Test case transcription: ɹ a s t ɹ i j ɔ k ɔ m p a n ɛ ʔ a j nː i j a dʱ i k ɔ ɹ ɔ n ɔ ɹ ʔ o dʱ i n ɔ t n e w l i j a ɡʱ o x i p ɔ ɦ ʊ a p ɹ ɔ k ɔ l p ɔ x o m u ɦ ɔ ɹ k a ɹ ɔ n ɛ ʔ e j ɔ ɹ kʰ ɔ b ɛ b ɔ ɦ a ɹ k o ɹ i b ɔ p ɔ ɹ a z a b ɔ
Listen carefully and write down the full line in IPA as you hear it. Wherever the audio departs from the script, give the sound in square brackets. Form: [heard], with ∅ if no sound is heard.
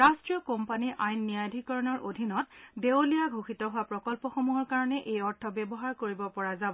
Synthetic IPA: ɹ a s t ɹ i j ɔ k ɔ m p a n [i] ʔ a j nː i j a dʱ i k ɔ ɹ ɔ n ɔ ɹ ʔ o dʱ i n ɔ t [d] e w l i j a ɡʱ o x i [t] ɔ ɦ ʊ a p ɹ ɔ k ɔ l p ɔ x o m u ɦ ɔ ɹ k a ɹ ɔ n ɛ ʔ e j ɔ ɹ [tʰ] ɔ b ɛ b ɔ ɦ a ɹ k o ɹ i b ɔ p ɔ ɹ a z a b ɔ